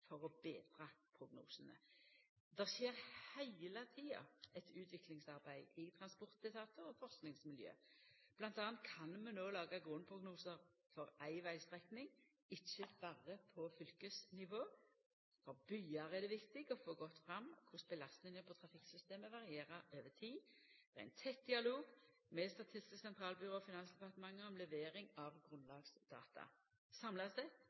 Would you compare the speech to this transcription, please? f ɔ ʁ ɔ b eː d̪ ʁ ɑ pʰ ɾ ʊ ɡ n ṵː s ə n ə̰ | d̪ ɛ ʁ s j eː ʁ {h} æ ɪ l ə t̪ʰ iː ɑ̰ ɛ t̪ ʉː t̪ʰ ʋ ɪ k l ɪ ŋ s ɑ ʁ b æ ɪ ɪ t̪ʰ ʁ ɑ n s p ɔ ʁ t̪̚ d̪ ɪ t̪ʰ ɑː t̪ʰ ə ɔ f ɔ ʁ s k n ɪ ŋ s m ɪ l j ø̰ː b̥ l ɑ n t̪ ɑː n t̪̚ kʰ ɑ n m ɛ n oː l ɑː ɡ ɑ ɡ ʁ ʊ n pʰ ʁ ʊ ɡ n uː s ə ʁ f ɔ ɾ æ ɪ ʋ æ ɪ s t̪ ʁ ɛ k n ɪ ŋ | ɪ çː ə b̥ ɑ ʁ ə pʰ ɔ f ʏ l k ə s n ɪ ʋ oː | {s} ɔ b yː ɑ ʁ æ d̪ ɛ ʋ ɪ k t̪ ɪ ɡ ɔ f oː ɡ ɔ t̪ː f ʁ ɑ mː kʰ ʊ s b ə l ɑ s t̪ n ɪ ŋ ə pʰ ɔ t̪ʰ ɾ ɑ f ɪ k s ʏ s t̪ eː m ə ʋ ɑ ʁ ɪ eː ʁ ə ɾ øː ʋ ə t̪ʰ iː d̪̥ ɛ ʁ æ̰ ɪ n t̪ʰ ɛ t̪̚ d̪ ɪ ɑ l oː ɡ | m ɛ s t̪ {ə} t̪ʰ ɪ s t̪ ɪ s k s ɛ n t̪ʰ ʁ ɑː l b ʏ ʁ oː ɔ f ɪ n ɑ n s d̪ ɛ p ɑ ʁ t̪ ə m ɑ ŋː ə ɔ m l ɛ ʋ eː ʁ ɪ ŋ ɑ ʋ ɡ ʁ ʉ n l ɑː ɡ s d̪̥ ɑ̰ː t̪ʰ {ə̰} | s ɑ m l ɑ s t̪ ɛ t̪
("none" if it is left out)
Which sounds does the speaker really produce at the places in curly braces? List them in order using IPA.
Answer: h, f, ɑ, ɑ̰

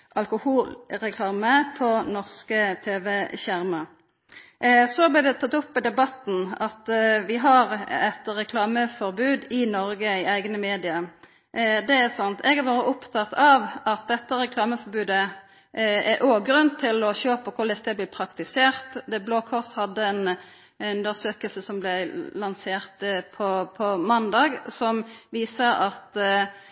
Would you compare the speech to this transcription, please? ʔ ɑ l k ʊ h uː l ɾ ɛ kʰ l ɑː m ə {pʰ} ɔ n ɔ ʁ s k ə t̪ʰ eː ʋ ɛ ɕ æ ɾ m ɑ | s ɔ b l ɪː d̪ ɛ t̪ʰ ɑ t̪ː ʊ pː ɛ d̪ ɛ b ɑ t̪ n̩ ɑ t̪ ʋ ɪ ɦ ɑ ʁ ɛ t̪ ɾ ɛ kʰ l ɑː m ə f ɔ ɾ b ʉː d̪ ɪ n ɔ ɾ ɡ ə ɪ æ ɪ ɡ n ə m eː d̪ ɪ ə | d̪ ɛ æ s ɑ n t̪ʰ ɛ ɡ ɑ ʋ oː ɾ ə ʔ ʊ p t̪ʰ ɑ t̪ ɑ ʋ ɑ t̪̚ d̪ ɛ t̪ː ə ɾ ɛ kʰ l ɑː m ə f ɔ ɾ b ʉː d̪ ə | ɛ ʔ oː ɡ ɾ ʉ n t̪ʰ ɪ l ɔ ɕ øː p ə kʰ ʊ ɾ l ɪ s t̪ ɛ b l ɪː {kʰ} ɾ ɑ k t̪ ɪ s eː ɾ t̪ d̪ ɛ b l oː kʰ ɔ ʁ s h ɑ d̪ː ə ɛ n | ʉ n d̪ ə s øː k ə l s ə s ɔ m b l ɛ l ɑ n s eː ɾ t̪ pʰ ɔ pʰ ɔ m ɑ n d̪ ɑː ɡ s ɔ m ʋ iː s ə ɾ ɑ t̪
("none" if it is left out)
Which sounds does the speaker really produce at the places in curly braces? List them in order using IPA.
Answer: pʰ, pʰ

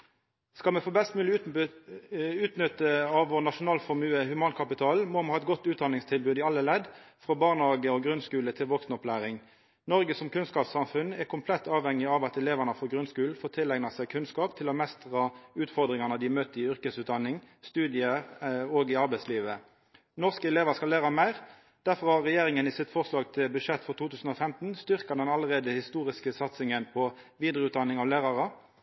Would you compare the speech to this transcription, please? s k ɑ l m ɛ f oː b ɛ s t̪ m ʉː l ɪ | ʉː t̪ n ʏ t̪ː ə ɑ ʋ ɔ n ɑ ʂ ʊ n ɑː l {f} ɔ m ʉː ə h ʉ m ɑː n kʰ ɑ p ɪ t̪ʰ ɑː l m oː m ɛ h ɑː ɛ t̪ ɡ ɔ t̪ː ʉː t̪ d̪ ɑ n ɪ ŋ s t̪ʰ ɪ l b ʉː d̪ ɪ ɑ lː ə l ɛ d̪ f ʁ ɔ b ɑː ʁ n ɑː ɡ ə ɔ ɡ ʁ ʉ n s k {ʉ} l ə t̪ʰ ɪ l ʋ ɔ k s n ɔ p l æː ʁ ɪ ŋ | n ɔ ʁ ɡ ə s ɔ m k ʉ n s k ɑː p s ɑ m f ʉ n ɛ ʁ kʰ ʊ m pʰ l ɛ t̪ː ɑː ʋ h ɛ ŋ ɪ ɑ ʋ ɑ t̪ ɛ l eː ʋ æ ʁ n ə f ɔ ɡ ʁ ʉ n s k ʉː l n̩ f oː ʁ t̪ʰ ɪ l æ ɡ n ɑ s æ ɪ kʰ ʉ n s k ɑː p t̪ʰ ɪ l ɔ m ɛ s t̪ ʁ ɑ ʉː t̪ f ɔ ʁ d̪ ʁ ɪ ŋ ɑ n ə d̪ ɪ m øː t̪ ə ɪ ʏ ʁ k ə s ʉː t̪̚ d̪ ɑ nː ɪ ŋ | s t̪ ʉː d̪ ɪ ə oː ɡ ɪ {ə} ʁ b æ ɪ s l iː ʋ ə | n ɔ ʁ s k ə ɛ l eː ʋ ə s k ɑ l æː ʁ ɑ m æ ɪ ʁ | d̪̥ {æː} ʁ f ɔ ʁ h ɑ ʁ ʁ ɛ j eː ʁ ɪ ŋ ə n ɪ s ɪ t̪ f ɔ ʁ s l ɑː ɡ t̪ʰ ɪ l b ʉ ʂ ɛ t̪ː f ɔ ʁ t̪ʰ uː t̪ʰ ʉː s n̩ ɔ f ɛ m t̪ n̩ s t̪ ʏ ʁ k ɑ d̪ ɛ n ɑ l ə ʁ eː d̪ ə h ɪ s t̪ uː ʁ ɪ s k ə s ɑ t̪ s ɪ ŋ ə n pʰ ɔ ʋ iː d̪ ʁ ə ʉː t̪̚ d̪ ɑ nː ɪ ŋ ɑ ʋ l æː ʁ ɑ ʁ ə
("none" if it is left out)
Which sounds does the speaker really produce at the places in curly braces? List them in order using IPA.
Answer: f, ʉː, ɑ, æ

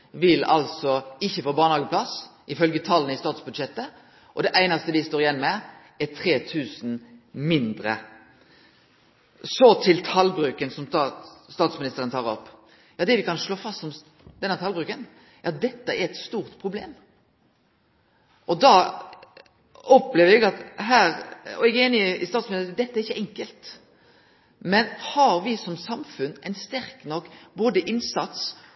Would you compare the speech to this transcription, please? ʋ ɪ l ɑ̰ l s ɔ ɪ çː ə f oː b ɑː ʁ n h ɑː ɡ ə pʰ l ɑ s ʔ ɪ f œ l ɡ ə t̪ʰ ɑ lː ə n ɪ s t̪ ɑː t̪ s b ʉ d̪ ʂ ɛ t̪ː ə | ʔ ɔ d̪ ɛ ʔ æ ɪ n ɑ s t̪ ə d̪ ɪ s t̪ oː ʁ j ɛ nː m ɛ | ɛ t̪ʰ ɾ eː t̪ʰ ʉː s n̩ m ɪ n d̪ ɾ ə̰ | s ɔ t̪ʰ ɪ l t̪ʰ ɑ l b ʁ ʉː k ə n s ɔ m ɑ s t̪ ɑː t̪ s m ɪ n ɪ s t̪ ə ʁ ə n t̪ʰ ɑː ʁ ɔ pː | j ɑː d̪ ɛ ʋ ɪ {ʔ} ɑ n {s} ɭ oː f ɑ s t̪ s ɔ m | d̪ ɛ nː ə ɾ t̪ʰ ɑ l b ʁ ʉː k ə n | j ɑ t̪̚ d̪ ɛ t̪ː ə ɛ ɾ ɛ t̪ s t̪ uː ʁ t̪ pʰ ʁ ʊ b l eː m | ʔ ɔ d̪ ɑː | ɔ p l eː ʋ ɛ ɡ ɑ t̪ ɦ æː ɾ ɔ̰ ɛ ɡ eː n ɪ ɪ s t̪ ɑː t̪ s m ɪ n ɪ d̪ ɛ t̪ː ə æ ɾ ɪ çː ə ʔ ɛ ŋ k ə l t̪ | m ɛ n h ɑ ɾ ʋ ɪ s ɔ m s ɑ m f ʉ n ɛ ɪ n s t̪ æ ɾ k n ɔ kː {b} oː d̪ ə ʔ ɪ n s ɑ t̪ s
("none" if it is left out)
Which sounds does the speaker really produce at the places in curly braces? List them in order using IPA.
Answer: k, ʂ, b

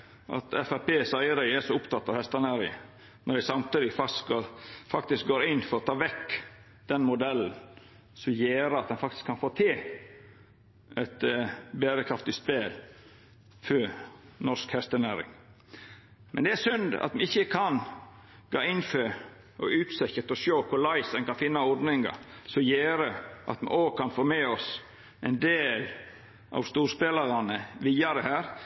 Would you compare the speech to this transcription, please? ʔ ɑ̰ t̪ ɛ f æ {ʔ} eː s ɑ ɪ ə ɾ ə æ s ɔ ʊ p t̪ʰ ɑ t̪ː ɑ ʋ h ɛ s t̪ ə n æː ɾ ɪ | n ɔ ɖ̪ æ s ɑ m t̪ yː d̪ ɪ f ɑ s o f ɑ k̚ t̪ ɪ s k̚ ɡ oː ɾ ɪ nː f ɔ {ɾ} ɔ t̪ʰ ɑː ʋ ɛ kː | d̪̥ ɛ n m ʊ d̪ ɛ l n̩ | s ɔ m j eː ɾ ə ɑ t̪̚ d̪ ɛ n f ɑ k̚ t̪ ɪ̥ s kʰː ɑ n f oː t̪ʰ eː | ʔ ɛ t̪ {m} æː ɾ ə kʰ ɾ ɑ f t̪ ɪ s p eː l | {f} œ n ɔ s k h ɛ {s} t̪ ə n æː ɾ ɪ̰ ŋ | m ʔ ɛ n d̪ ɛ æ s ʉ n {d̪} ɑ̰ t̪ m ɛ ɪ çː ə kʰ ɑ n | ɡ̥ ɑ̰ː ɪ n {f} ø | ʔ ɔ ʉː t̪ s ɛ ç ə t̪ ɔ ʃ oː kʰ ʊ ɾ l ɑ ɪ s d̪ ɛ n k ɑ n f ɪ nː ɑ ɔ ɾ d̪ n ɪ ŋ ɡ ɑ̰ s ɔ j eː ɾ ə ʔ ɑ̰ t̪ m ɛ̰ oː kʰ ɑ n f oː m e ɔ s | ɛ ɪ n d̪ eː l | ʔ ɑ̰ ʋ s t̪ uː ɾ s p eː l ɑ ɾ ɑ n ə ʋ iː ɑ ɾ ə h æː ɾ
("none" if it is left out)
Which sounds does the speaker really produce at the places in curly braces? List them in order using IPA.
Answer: p, ɾ, b, f, s, d̪, f

